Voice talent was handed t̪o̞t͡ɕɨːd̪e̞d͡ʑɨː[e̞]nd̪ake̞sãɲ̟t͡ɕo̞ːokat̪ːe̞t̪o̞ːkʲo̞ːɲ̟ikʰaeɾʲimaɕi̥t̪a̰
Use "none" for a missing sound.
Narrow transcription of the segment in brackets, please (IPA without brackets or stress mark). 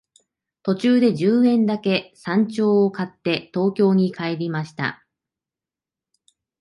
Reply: ẽ̞